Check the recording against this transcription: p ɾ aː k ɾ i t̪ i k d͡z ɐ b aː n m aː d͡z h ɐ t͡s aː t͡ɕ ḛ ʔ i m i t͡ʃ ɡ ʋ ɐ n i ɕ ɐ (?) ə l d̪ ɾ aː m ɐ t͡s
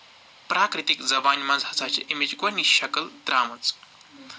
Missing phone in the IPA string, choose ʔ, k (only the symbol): k